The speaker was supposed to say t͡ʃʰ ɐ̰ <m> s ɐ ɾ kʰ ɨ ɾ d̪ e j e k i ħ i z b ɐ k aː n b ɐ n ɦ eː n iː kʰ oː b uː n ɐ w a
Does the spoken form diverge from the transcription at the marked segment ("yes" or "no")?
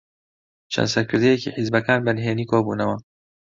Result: yes